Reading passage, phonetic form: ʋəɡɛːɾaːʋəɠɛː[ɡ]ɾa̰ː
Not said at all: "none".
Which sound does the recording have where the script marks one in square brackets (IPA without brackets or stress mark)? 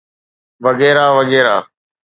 none